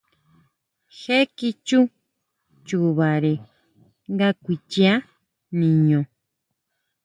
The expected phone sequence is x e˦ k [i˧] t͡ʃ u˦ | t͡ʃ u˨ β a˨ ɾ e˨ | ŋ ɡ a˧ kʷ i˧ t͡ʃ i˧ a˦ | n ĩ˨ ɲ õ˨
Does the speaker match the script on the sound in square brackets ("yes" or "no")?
yes